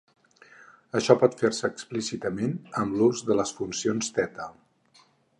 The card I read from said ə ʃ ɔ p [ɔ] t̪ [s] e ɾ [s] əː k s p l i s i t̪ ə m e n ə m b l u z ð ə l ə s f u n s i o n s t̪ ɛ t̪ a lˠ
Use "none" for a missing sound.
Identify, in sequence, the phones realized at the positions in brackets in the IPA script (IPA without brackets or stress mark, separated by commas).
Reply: ɔ, f, s